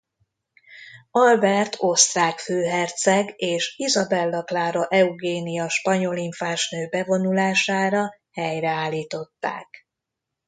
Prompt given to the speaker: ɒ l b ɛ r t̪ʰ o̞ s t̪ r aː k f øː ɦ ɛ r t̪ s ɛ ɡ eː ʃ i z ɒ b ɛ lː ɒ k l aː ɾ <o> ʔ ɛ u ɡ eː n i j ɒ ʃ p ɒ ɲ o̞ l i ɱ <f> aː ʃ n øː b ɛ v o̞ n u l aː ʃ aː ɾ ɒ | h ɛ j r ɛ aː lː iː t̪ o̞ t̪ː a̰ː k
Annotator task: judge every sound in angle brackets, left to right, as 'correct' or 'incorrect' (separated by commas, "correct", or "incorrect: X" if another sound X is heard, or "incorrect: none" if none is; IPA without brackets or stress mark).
correct, correct